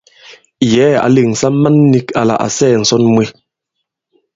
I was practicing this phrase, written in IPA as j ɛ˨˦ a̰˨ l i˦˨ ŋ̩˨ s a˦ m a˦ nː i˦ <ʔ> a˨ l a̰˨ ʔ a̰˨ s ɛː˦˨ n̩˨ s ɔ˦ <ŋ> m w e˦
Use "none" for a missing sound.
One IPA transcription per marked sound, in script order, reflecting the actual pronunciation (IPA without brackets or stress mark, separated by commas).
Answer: k, n